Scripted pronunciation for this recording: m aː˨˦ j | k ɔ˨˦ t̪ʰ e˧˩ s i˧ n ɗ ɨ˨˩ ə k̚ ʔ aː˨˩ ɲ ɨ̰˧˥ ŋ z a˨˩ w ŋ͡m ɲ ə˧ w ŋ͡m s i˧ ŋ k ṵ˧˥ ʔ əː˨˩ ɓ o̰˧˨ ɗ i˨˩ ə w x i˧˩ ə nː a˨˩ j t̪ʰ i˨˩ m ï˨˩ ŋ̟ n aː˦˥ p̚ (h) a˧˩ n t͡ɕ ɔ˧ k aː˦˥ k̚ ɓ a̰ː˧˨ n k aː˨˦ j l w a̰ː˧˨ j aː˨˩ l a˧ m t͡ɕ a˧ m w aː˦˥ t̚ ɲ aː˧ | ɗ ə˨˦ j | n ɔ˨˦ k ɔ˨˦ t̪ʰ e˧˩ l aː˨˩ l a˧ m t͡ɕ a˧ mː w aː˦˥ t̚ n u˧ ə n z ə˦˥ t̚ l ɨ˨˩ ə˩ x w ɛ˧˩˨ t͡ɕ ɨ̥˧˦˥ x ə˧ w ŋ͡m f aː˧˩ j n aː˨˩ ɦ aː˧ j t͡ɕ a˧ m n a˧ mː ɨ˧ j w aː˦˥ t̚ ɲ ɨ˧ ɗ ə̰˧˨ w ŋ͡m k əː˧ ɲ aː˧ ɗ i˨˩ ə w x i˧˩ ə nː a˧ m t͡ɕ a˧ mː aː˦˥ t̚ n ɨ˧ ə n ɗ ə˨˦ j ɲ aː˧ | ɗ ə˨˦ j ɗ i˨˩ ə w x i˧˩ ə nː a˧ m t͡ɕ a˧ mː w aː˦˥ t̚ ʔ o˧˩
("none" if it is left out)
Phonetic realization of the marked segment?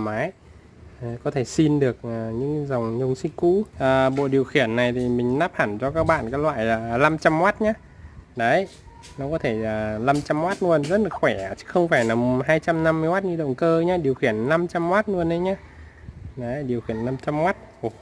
h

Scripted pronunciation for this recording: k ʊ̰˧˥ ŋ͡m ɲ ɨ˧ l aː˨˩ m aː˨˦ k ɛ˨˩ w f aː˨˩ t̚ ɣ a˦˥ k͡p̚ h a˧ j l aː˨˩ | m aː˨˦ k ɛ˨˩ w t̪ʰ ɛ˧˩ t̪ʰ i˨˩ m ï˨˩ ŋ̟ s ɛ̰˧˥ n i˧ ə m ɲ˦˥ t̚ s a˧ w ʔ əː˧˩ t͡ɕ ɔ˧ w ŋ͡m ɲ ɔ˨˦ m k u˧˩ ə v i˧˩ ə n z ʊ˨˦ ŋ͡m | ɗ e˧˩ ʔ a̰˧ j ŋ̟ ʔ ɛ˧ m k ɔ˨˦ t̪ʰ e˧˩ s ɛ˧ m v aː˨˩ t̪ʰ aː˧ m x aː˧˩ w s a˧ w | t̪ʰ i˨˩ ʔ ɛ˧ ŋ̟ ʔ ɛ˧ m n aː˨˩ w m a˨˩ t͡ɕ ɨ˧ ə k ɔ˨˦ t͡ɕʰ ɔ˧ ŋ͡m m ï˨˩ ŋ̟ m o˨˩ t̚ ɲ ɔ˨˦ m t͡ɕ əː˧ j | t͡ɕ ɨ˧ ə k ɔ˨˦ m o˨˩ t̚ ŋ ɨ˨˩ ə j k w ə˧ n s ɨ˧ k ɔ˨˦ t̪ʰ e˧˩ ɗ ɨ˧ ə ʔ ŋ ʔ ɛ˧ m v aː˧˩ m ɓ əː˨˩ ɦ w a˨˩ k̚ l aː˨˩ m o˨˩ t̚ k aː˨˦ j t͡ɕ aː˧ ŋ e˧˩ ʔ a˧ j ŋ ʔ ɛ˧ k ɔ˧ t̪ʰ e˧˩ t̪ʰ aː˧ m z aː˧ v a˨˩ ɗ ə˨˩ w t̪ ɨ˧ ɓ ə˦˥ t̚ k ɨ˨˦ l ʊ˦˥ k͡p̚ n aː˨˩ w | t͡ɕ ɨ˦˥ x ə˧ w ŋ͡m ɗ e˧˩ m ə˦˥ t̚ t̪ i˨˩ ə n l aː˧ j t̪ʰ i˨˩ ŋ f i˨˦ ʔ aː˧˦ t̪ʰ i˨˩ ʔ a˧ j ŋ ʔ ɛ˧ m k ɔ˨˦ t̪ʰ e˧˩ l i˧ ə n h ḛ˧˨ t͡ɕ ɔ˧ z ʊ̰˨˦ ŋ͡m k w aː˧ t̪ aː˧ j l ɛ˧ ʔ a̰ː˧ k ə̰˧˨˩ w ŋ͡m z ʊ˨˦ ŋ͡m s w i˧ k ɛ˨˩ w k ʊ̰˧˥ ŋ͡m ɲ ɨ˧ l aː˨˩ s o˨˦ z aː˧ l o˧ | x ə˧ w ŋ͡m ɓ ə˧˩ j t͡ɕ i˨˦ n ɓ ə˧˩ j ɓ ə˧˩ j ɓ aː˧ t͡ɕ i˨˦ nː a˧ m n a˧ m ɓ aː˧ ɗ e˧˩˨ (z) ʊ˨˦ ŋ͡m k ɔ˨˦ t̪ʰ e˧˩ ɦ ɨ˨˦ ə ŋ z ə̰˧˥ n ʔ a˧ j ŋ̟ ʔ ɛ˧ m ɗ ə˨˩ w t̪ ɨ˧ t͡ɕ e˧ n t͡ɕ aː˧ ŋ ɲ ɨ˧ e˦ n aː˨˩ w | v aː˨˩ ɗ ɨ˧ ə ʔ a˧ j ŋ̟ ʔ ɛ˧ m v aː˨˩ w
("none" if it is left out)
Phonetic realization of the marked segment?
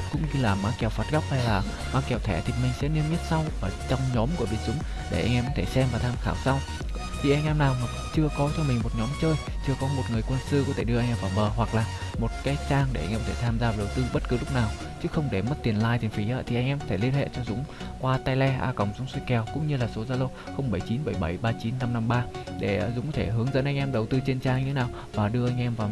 z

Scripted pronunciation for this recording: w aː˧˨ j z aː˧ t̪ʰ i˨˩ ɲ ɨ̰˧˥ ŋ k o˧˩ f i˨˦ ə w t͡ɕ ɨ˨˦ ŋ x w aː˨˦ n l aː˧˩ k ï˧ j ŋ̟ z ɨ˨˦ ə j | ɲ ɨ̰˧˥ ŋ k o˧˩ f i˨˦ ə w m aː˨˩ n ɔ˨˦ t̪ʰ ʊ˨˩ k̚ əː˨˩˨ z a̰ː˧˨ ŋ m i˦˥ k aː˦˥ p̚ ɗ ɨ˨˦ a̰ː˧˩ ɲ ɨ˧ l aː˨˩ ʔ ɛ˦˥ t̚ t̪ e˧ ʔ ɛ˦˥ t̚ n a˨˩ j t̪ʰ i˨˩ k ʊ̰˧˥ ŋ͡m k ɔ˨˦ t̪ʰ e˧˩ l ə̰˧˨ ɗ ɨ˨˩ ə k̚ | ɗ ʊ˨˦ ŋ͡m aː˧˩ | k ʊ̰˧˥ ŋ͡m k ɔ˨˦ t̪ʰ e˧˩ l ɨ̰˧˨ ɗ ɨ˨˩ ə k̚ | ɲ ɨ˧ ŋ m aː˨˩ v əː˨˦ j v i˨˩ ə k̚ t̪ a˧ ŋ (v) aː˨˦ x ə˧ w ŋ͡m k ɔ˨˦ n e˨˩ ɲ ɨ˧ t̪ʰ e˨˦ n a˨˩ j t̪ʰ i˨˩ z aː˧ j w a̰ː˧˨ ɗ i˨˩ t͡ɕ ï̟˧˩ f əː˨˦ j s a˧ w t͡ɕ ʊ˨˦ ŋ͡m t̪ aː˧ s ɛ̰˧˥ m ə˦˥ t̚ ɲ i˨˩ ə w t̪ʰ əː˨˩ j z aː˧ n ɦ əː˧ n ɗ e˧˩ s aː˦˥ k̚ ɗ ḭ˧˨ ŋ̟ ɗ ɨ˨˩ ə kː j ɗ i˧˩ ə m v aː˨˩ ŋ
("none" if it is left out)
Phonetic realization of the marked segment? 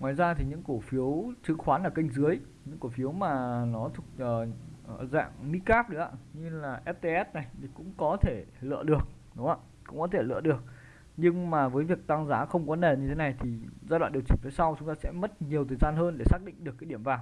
z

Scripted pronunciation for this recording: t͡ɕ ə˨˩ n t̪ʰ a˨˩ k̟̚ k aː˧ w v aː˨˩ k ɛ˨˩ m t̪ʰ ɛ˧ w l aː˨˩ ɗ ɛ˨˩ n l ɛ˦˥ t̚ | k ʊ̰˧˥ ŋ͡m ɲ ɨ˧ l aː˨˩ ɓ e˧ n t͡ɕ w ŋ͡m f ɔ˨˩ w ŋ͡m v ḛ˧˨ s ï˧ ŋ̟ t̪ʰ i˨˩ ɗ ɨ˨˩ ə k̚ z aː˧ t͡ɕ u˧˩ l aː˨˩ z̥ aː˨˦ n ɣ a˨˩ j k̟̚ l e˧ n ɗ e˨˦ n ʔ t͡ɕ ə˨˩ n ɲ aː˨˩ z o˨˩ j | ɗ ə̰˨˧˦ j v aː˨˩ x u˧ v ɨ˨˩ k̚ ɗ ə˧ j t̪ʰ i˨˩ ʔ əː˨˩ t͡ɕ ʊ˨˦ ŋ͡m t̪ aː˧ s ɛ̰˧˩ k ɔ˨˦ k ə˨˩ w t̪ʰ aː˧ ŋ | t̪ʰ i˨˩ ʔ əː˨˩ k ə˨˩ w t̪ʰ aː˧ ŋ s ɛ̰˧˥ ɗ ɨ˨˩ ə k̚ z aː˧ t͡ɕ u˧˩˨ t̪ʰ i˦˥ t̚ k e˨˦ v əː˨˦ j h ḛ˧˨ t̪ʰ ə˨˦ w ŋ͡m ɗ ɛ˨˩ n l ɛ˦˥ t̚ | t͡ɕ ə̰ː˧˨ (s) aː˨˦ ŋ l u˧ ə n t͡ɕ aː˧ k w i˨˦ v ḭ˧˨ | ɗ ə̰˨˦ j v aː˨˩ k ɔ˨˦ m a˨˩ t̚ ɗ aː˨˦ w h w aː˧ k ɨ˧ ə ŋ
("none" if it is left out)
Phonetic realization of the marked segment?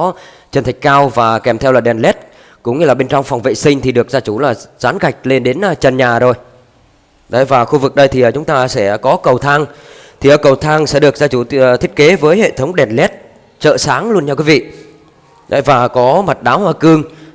s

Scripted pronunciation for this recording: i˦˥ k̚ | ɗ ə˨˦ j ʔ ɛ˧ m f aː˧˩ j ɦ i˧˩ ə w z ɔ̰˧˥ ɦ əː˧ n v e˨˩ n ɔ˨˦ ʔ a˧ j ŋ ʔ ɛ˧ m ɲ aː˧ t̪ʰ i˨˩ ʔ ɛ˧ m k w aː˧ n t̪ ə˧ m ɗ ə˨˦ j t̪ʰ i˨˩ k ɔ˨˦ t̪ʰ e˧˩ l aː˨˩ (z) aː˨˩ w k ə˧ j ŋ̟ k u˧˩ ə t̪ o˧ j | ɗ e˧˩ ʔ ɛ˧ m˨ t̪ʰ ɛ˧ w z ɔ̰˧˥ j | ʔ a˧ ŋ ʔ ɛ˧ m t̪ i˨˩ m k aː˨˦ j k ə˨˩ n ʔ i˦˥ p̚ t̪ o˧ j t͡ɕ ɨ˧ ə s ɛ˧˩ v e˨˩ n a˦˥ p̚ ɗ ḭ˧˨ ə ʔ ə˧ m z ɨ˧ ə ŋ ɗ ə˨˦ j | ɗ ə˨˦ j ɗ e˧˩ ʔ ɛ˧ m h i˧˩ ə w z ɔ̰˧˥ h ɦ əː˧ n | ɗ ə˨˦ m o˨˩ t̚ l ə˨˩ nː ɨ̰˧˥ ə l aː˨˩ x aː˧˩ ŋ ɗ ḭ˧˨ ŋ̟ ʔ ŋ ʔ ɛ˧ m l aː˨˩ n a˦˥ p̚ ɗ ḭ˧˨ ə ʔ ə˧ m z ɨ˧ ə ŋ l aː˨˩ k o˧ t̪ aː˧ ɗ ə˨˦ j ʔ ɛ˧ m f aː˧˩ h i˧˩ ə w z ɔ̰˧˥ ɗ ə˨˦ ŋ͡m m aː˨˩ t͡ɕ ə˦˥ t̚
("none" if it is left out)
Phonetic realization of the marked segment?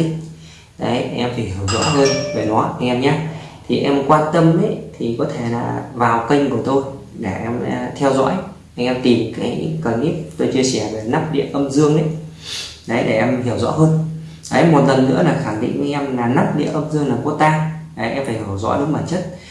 v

